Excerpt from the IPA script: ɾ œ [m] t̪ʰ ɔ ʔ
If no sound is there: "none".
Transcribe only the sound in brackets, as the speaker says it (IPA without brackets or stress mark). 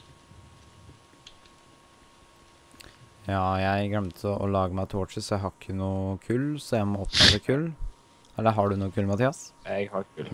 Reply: m